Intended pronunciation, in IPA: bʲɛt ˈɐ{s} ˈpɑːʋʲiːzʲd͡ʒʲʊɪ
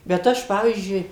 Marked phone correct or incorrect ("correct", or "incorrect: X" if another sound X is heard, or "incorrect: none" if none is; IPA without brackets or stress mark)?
incorrect: ʃ